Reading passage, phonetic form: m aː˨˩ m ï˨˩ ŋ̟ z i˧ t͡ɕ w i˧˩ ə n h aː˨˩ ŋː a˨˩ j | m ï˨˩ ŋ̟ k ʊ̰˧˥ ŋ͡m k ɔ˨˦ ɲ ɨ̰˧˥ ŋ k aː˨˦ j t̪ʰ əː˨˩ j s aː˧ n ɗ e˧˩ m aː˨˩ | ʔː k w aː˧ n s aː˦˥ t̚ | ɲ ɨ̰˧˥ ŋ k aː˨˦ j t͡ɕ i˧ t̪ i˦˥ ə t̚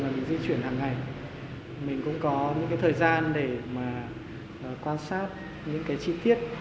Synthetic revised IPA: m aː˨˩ m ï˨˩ ŋ̟ z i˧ t͡ɕ w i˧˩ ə n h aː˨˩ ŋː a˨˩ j | m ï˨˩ ŋ̟ k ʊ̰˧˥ ŋ͡m k ɔ˨˦ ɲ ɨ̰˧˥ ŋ k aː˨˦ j t̪ʰ əː˨˩ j z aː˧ n ɗ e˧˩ m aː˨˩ | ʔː k w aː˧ n s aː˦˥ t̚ | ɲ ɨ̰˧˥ ŋ k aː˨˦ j t͡ɕ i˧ t̪ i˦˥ ə t̚